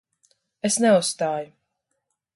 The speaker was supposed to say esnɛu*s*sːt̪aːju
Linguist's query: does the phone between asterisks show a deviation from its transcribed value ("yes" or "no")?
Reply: no